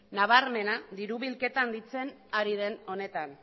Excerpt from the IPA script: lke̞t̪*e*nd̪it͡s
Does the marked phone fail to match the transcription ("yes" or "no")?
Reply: yes